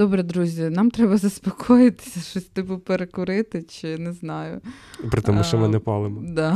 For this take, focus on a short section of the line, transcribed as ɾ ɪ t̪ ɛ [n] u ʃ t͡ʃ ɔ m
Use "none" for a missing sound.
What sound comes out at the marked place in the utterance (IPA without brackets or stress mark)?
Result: m